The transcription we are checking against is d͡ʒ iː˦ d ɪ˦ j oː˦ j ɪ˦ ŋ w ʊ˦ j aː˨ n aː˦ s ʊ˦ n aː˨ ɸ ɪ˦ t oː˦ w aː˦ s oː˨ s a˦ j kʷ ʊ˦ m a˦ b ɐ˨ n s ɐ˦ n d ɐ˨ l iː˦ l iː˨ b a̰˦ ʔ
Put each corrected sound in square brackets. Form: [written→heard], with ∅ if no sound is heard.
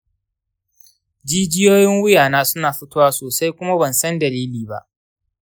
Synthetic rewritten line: d͡ʒ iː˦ [d→d͡ʒ] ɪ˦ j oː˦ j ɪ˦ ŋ w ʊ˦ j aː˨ n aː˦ s ʊ˦ n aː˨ ɸ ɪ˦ t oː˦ w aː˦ s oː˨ s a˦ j kʷ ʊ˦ m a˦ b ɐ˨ n s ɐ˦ n d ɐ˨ l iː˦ l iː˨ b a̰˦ ʔ